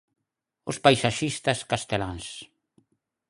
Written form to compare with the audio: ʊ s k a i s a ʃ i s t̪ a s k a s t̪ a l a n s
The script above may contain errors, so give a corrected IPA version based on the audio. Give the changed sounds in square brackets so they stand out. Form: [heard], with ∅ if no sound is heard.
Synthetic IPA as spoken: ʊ s [p] a [j] s a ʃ i s t̪ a s k a s t̪ [e] l a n s